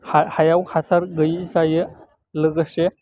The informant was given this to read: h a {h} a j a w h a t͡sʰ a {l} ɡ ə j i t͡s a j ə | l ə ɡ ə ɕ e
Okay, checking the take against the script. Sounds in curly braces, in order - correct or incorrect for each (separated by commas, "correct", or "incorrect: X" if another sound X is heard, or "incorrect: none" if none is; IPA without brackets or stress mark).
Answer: correct, incorrect: ɾ